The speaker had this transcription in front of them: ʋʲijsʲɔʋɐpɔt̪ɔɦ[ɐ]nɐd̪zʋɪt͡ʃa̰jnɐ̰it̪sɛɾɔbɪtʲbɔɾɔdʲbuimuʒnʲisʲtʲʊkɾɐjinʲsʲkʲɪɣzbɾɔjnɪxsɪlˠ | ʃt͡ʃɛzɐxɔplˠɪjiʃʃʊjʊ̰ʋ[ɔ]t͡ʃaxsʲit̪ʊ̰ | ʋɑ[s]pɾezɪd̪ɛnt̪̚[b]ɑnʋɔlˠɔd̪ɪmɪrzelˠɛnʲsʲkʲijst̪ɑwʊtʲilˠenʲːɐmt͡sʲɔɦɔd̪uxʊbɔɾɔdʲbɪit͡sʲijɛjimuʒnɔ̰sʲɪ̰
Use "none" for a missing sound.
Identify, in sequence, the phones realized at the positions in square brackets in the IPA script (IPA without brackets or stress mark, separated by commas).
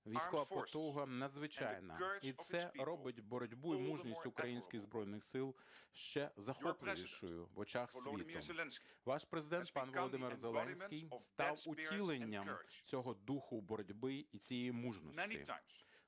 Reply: ɐ, ɔ, ʃ, p